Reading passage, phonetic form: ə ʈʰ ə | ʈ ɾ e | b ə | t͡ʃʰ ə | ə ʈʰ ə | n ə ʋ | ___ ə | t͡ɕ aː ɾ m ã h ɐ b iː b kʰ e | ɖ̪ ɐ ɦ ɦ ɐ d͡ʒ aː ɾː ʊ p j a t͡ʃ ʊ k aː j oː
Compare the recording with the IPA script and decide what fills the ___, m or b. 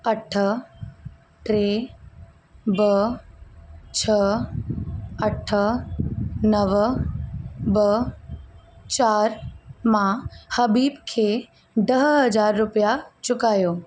b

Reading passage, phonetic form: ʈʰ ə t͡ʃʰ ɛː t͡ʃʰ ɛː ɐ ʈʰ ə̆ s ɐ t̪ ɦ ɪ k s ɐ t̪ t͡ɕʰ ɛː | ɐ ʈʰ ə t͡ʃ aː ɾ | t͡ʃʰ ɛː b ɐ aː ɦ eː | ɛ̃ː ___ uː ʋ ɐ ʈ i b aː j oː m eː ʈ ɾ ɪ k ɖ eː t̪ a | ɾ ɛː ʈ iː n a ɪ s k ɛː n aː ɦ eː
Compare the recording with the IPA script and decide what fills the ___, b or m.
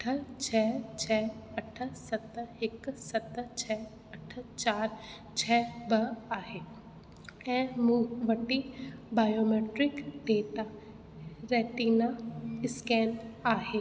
m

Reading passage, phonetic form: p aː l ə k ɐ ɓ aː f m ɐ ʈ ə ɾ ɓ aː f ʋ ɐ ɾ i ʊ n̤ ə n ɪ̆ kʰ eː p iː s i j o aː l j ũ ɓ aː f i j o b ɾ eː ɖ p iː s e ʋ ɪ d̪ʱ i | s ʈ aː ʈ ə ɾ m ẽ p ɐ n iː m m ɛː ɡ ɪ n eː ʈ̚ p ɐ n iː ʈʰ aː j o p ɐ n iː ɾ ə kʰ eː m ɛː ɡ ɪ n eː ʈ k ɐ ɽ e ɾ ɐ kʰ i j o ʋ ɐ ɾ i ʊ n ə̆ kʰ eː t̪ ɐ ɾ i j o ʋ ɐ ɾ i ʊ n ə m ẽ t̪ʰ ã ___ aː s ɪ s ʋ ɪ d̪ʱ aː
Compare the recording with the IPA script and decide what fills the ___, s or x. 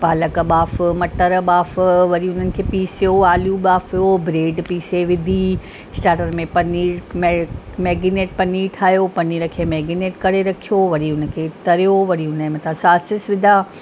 s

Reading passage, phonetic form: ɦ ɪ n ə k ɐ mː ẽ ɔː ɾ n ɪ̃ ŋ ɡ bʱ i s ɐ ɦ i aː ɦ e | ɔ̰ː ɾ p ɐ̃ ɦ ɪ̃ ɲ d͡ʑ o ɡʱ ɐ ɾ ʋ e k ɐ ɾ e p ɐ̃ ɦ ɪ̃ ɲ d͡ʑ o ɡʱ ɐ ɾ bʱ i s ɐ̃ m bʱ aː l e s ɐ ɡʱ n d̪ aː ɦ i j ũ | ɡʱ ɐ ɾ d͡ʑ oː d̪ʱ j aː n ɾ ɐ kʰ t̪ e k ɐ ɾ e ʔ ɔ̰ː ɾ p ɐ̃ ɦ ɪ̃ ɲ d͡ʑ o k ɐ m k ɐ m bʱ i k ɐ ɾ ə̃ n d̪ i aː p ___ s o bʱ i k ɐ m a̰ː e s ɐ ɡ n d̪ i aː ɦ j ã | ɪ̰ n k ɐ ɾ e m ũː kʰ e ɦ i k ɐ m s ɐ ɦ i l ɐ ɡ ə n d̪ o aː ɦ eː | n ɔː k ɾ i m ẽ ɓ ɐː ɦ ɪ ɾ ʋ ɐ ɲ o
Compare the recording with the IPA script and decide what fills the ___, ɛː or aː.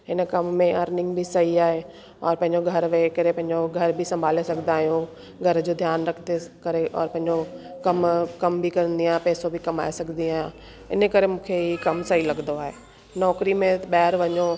ɛː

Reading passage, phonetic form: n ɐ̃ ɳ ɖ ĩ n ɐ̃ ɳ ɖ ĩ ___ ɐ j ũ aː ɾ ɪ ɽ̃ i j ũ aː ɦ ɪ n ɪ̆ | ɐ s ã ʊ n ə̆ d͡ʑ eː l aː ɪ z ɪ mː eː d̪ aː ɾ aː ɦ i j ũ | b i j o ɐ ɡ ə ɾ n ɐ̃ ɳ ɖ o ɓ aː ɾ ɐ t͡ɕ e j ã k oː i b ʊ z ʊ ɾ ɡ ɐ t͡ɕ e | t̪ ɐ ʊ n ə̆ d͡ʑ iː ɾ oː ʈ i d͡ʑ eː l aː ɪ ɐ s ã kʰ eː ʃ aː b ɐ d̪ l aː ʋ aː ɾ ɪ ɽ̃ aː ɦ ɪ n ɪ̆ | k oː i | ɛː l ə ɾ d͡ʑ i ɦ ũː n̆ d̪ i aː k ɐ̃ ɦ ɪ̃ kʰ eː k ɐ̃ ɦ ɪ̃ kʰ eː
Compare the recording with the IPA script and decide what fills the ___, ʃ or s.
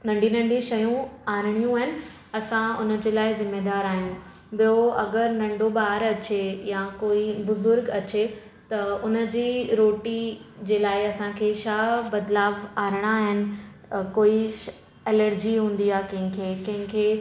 ʃ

